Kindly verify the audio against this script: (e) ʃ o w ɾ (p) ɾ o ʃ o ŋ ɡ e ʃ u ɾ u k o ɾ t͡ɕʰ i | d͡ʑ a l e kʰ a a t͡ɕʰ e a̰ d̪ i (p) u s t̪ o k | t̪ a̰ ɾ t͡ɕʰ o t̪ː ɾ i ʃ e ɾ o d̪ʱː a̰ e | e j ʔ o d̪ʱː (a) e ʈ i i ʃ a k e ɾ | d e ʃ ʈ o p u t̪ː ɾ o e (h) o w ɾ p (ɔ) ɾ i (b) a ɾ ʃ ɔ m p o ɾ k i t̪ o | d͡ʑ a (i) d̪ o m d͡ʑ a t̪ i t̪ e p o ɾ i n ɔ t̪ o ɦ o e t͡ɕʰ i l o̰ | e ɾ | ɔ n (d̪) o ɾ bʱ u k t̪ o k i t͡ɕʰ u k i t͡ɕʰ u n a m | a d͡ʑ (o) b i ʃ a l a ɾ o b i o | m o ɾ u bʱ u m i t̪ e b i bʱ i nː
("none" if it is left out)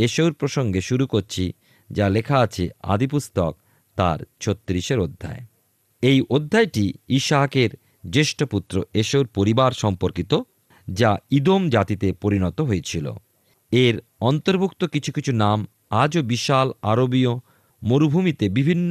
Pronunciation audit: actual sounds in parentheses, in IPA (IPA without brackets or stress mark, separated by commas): e, p, p, a, ʃ, o, b, i, t̪, o